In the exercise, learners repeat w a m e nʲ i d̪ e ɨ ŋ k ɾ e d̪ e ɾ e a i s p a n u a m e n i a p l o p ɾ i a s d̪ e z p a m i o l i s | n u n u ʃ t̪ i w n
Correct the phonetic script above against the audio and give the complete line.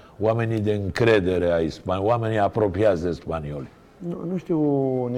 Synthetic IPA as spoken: w a m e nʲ i d̪ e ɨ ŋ k ɾ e d̪ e ɾ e a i s p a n w a m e n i a p ɾ o p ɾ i a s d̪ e s p a n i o l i | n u n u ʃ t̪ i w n